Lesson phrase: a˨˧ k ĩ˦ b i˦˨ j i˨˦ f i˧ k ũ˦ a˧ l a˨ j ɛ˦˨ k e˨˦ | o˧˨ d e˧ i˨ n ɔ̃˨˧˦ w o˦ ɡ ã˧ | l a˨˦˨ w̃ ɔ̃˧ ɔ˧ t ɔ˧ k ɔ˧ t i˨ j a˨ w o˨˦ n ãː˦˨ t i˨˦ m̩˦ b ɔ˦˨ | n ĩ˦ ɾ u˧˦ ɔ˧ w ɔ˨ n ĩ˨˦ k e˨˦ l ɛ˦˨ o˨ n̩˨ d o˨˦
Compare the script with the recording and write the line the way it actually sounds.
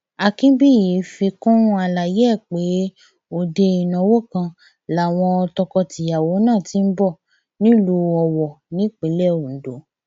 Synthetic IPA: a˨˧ k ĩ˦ b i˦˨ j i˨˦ f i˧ k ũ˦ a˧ l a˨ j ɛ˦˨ k͡p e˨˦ | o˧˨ d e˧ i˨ n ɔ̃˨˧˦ w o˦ k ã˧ | l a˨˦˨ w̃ ɔ̃˧ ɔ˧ t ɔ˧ k ɔ˧ t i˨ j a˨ w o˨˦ n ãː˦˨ t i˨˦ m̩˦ b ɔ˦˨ | n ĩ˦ l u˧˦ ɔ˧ w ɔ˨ n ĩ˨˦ k͡p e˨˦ l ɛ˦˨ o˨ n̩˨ d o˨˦